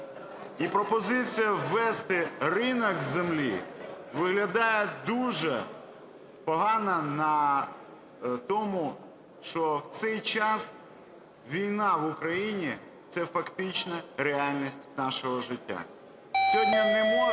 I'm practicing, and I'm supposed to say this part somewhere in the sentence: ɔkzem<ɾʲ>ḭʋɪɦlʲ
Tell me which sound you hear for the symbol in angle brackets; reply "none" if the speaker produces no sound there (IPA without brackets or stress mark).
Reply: lʲ